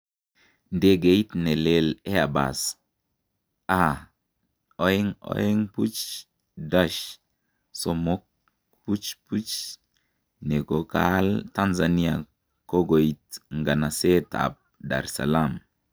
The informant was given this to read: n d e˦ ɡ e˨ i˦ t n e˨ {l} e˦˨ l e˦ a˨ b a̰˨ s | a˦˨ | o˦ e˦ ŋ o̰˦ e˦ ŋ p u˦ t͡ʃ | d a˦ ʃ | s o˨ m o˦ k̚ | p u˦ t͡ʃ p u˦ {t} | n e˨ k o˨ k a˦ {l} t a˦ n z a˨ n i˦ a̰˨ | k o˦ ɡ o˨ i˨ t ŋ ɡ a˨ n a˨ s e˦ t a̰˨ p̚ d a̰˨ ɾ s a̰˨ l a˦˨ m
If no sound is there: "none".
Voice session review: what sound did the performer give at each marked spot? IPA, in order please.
l, t͡ʃ, l

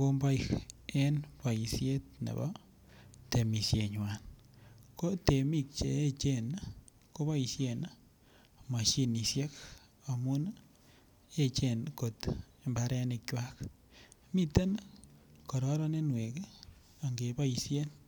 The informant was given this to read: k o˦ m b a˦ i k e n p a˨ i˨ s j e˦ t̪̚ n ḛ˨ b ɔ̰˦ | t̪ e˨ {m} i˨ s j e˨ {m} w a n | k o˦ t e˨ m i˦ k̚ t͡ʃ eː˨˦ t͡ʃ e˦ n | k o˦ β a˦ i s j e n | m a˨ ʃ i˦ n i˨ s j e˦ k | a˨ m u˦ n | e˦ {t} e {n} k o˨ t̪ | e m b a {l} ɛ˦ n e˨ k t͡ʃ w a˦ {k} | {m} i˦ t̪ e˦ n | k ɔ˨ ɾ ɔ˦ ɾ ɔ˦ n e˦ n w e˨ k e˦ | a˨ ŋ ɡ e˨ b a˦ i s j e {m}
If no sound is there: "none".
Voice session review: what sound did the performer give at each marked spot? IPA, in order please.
m, ɲ, t͡ʃ, n, ɾ, k, m, n

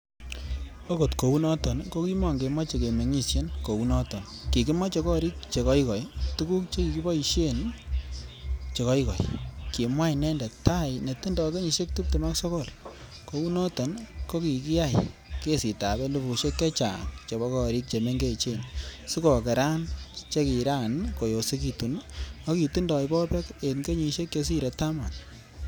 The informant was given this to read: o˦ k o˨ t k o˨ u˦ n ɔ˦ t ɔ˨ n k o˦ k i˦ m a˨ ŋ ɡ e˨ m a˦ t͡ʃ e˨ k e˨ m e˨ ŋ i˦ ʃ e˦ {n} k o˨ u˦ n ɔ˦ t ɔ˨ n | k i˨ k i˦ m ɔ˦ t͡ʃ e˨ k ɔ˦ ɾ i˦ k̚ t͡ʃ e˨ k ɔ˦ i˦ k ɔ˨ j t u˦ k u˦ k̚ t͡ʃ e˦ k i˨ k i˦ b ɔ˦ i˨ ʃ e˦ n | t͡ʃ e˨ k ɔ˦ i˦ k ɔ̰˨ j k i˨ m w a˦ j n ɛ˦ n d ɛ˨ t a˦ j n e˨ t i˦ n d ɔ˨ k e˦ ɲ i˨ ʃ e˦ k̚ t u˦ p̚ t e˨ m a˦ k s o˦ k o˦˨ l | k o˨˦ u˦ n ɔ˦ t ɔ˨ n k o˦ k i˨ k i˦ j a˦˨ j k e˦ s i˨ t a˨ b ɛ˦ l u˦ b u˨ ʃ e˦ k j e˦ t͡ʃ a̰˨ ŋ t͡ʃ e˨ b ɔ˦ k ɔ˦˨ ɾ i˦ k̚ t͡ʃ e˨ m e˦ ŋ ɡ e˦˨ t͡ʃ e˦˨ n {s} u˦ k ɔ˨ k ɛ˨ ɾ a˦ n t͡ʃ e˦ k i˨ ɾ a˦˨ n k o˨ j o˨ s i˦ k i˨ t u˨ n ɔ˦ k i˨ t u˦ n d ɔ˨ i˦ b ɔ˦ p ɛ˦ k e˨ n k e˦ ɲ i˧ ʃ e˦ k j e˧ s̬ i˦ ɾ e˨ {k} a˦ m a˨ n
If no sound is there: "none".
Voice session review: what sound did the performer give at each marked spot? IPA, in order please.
n, s, t

